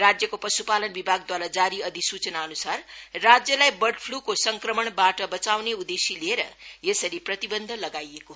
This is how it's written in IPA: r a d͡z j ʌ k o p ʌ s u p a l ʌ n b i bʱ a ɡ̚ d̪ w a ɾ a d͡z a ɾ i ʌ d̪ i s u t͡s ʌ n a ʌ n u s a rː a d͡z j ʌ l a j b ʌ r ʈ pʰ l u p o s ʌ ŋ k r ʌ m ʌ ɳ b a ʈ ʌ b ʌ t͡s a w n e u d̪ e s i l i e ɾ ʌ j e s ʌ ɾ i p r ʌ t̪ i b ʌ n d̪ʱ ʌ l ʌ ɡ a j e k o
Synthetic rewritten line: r a d͡z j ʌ k o p ʌ s u p a l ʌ n b i bʱ a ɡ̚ d̪ w a ɾ a d͡z a ɾ i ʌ d̪ i s u t͡s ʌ n a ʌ n u s a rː a d͡z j ʌ l a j b ʌ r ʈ pʰ l u k o s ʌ ŋ k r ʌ m ʌ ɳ b a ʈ ʌ b ʌ t͡s a w n e u d̪ e s i l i e ɾ ʌ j e s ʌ ɾ i p r ʌ t̪ i b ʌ n d̪ʱ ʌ l ʌ ɡ a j e k o